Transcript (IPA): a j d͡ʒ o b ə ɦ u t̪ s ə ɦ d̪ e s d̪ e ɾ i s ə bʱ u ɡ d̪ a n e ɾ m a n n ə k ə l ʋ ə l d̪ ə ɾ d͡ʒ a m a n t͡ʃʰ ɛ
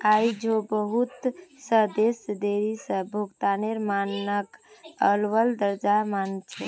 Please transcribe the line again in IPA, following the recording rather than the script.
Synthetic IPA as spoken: a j d͡ʒ o b ə ɦ u t̪ s ə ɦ d̪ e s d̪ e ɾ i s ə bʱ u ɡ t̪ a n e ɾ m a n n ə k ə l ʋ ə l d̪ ə ɾ d͡ʒ a m a n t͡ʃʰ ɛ